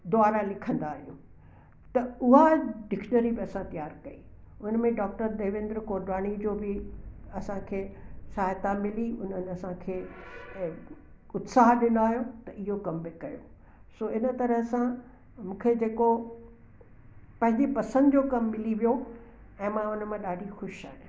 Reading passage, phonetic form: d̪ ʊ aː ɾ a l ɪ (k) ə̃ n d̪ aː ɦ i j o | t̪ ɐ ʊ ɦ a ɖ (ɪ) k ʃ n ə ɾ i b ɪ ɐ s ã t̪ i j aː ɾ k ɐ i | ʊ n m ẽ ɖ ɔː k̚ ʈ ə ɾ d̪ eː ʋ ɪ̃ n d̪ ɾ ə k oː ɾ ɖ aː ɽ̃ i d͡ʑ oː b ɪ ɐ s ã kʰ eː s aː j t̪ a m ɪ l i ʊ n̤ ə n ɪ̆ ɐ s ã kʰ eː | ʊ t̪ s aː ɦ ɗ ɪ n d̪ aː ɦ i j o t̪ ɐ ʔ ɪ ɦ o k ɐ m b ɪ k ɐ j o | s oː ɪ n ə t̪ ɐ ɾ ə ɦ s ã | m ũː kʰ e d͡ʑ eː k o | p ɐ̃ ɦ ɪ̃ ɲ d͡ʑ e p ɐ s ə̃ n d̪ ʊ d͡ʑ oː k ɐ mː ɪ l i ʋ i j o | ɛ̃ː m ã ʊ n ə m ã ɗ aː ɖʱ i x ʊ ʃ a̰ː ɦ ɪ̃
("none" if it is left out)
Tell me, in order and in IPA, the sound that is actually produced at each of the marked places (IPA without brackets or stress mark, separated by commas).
kʰ, ɪ